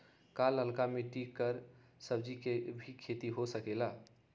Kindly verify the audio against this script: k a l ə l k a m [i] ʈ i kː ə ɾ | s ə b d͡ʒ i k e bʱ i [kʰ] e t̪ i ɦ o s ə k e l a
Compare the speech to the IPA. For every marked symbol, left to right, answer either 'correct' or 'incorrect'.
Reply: incorrect, correct

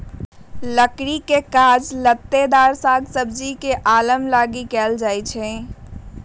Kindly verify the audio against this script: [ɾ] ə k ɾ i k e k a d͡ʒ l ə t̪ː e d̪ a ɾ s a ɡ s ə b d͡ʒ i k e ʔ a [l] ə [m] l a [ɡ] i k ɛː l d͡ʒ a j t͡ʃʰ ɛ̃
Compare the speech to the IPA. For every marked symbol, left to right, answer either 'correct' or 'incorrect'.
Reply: incorrect, correct, correct, correct

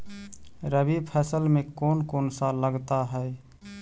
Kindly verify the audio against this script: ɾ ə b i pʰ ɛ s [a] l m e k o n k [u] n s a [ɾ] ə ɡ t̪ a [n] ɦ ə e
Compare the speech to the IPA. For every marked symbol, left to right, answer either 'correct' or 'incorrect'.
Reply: incorrect, incorrect, incorrect, incorrect

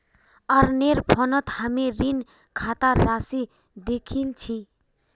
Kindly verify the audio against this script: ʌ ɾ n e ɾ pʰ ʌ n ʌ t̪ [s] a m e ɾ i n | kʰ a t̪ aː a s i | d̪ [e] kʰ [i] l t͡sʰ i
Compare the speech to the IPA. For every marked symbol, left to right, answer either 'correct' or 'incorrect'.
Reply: incorrect, correct, correct

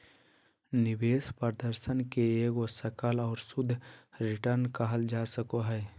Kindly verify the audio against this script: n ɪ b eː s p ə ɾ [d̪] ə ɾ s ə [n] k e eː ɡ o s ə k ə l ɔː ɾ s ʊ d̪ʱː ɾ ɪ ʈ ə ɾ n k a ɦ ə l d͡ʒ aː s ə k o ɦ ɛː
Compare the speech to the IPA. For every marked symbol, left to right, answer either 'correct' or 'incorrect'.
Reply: correct, correct

